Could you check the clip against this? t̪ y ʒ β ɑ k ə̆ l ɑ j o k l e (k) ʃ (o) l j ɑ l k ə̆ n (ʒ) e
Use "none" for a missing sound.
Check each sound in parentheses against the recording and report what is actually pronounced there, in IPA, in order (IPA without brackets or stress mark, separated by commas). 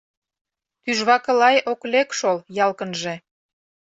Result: k, o, ʒ